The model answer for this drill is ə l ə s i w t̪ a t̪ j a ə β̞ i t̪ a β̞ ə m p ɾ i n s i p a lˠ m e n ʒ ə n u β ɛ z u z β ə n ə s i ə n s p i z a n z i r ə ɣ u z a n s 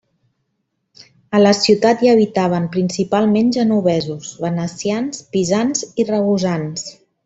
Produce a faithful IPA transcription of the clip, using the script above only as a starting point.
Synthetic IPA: ə l ə s i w t̪ a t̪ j a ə β̞ i t̪ a β̞ ə m p ɾ i n s i p a lˠ m e n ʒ ə n u β ɛ z u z β ə n ə s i a n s p i z a n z i r ə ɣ u z a n s